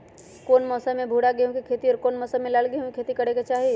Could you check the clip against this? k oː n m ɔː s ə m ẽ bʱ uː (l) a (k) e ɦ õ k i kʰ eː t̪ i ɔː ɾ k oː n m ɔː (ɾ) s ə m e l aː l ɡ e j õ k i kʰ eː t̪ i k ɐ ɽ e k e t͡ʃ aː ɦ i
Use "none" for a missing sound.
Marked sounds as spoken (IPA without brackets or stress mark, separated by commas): ɽ, ɡ, none